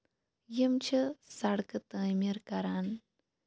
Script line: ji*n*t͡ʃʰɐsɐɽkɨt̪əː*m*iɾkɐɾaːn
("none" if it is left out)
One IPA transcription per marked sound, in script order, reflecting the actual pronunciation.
m, m

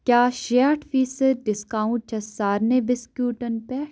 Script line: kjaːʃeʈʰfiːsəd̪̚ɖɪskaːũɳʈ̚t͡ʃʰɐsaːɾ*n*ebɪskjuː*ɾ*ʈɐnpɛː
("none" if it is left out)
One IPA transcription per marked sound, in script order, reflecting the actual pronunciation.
n, none

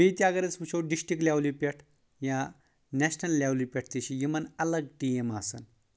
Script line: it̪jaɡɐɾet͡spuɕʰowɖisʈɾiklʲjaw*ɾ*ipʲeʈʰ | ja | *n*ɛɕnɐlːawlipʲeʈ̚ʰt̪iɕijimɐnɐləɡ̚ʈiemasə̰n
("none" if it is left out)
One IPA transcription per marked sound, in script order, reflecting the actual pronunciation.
l, n

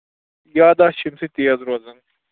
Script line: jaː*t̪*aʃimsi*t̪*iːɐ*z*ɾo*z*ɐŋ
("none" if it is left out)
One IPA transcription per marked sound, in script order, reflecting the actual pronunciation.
d̪, t̪, z, z

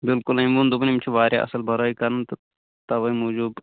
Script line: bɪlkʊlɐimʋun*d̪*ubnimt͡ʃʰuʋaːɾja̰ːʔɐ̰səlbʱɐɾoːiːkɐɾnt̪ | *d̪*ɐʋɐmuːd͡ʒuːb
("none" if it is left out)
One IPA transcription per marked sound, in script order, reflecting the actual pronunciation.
d̪, t̪

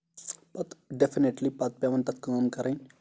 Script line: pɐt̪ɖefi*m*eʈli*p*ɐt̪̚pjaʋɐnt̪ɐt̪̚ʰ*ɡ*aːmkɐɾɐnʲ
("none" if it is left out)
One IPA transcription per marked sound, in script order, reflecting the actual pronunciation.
n, p, k

